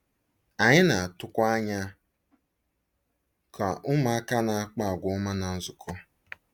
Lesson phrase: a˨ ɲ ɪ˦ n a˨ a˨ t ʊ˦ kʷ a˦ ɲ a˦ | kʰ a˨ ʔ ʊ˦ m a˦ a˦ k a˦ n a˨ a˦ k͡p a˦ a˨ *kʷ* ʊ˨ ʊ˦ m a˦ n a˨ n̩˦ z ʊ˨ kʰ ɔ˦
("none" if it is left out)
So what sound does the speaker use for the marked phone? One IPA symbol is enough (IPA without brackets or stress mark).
ɡʷ